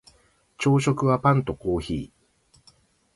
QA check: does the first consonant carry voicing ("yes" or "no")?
no